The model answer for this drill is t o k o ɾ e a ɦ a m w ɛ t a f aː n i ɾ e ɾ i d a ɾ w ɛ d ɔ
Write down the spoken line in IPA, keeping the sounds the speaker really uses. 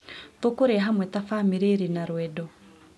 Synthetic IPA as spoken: t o k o ɾ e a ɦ a m w ɛ t a f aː m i ɾ e ɾ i n a ɾ w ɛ d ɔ